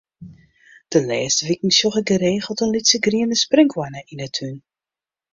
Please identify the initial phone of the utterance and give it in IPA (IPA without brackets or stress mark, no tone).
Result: d̥